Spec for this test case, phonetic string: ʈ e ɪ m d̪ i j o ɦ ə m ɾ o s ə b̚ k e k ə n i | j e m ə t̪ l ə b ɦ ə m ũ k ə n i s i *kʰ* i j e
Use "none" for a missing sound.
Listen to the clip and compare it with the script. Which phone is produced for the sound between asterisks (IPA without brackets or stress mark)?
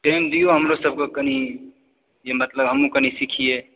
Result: kʰ